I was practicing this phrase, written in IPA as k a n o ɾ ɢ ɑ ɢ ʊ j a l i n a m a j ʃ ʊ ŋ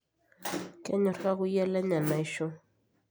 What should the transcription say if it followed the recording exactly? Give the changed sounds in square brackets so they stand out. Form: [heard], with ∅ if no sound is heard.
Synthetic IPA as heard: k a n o ɾ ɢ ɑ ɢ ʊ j a l [a] n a m a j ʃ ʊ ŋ